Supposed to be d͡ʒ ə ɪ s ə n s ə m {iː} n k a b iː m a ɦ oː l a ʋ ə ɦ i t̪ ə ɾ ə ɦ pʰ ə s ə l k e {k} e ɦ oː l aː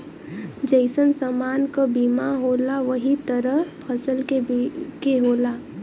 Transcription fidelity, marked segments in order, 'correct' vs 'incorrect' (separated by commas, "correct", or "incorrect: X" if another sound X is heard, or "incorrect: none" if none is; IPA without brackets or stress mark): incorrect: aː, correct